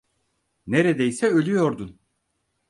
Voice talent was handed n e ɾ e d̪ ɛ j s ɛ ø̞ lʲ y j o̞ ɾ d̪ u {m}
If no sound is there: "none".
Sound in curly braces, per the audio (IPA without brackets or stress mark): n